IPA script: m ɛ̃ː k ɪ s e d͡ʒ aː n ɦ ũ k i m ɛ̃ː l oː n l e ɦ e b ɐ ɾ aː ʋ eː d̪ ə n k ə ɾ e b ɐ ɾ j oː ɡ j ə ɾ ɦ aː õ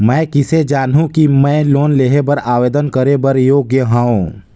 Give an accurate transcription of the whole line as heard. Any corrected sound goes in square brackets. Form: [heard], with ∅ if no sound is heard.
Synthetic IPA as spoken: m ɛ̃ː k ɪ s e d͡ʒ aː n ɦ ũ k i m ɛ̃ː l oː n l e ɦ e b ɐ ɾ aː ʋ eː d̪ ə n k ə ɾ e b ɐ ɾ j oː ɡ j ə [∅] ɦ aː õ